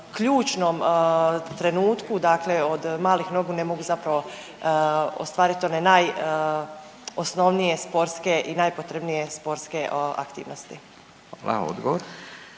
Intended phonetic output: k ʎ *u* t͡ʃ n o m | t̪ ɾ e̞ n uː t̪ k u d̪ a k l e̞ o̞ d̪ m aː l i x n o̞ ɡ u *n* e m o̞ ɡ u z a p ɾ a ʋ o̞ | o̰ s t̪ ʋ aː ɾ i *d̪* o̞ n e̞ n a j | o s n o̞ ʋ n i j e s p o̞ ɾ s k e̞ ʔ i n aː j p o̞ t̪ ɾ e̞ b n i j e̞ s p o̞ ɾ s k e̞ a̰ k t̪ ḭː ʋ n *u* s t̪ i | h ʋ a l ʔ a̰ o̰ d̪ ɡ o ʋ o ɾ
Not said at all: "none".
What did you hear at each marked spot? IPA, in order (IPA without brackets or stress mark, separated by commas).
uː, n, t̪, o